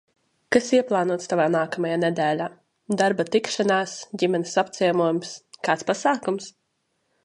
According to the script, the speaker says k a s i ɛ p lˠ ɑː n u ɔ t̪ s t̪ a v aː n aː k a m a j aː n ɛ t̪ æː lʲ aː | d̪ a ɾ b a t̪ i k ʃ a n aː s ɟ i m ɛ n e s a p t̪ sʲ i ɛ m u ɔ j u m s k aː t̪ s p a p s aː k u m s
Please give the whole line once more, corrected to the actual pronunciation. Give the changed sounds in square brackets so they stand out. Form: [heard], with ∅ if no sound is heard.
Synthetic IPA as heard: k a s i ɛ p lˠ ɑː n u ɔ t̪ s t̪ a v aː n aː k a m a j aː n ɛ [d̪] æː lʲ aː | d̪ a ɾ b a t̪ i k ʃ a n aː s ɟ i m ɛ n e s a p t̪ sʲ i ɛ m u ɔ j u m s k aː t̪ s p a [∅] s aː k u m s